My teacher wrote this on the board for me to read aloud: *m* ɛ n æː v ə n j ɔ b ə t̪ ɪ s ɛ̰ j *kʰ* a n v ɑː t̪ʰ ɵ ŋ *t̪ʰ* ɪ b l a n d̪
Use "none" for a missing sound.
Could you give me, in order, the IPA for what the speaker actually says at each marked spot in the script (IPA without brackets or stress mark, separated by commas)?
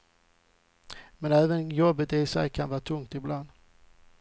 m, kʰ, t̪